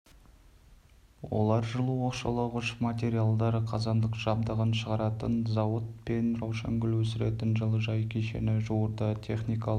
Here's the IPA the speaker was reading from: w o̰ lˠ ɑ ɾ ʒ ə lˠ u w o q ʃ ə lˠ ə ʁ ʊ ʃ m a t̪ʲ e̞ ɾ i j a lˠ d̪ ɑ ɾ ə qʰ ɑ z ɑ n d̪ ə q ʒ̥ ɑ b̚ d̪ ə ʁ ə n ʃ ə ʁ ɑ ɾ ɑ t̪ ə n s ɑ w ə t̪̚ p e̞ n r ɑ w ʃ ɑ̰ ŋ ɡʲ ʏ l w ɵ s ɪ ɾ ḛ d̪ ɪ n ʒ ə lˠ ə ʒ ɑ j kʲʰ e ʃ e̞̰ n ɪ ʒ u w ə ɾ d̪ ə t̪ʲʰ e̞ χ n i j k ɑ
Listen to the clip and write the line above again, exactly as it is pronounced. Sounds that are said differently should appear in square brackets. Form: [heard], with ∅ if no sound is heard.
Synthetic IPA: w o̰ lˠ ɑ ɾ ʒ ə lˠ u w o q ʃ [ɑ] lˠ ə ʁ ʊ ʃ m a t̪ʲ e̞ ɾ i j a lˠ d̪ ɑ ɾ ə qʰ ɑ z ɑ n d̪ ə q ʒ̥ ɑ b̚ d̪ ə ʁ ə n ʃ ə ʁ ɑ ɾ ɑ t̪ ə n [z] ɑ w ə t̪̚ p e̞ n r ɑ w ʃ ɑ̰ ŋ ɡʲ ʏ l w ɵ s ɪ ɾ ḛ [t̪] ɪ n ʒ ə lˠ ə ʒ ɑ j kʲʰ e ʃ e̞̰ n ɪ ʒ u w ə ɾ d̪ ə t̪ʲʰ e̞ χ n i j k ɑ